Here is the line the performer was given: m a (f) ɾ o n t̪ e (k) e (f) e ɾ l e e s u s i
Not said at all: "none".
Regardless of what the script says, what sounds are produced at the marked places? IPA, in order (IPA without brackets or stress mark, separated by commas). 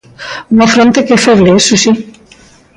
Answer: f, k, f